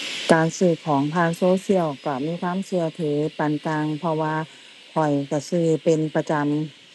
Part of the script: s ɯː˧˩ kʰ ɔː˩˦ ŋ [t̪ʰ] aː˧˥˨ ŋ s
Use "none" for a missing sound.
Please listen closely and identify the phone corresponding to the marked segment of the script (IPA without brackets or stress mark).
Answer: t̪ʰ